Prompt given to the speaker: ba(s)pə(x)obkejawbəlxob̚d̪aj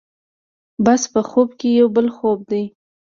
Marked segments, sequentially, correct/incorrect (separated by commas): correct, correct